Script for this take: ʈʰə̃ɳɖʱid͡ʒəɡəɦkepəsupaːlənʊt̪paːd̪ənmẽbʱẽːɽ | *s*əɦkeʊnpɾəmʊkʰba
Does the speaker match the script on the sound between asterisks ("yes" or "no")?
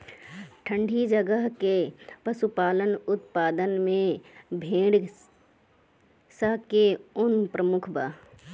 yes